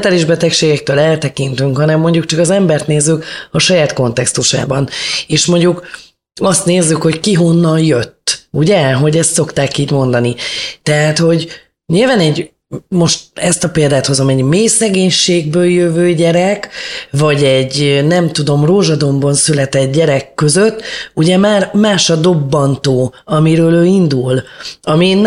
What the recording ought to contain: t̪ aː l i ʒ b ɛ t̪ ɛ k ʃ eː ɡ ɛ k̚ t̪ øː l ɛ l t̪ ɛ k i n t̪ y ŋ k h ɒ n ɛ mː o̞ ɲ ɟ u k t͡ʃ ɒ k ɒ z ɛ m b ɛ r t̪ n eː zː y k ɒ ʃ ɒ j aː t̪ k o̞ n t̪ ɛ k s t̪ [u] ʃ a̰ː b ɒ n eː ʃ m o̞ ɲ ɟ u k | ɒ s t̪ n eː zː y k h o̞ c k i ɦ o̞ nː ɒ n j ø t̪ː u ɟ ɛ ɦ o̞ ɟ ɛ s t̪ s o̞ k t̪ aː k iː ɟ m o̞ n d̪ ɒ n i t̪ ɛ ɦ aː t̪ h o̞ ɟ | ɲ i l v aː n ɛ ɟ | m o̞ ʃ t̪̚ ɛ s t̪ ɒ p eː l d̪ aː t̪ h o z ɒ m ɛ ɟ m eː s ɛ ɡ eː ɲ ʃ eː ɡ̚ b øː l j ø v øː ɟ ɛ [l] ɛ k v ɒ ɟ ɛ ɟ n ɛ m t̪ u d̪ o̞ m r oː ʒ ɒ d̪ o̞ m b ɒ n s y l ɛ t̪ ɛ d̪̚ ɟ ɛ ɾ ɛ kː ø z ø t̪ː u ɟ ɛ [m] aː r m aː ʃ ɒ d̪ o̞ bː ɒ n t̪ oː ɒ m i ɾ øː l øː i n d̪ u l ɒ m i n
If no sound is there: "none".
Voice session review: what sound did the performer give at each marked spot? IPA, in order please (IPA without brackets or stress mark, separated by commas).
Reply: u, ɾ, m